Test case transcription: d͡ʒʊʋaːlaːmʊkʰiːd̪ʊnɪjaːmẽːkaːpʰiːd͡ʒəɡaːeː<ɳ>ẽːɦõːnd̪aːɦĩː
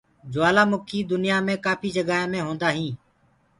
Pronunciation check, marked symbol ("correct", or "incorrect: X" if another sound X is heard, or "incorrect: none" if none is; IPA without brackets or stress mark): incorrect: m